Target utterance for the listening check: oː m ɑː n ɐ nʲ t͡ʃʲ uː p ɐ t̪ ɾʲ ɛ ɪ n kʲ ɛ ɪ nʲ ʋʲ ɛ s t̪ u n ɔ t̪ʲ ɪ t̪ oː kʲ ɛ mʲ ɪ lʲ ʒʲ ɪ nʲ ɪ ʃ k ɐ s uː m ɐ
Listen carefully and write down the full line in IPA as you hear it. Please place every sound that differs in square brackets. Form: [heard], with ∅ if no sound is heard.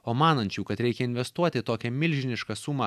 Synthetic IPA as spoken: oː m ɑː n ɐ nʲ t͡ʃʲ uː [k] ɐ t̪ ɾʲ ɛ ɪ [∅] kʲ ɛ ɪ nʲ ʋʲ ɛ s t̪ u [∅] ɔ t̪ʲ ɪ t̪ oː kʲ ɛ mʲ ɪ lʲ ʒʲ ɪ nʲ ɪ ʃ k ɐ s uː m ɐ